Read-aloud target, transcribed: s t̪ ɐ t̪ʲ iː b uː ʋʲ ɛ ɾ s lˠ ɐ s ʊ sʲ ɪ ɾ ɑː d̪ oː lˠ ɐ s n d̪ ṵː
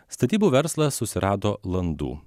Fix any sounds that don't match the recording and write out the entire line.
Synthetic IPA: s t̪ ɐ t̪ʲ iː b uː ʋʲ ɛ ɾ s lˠ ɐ s ʊ sʲ ɪ ɾ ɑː d̪ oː lˠ ɐ n d̪ ṵː